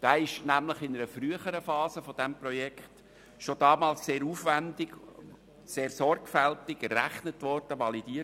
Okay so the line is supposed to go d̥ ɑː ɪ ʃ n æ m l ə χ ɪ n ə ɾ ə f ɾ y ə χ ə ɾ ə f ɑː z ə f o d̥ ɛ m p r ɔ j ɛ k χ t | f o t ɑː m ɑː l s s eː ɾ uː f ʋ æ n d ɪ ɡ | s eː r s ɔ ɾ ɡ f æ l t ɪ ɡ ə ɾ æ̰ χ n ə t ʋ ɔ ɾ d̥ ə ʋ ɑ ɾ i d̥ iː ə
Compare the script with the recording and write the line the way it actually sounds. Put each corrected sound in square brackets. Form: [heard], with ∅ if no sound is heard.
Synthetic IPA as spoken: d̥ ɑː ɪ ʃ n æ m l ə χ ɪ n ə ɾ ə f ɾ y ə χ ə ɾ ə f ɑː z ə f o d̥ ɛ m p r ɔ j ɛ k χ t | [ʃ] o [d] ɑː m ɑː l s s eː ɾ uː f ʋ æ n d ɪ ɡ | s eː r s ɔ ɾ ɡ f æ l t ɪ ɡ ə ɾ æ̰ χ n ə t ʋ ɔ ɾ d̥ ə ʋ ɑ [l] i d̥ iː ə